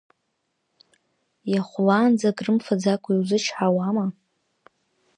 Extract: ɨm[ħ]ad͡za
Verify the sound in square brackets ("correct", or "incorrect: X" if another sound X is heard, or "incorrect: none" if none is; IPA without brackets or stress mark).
incorrect: f